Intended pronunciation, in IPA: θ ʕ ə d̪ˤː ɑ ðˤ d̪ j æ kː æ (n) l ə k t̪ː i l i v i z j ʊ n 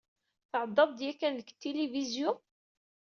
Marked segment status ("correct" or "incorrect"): correct